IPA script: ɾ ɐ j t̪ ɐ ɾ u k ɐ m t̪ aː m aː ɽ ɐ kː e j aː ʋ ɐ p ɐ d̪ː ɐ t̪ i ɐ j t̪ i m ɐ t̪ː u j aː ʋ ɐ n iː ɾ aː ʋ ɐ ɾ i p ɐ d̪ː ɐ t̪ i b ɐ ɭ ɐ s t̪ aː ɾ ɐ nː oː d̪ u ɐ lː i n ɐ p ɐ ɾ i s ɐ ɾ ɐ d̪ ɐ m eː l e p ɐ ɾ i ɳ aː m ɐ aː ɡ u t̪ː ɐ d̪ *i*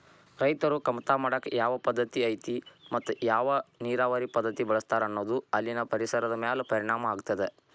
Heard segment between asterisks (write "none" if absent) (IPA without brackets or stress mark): e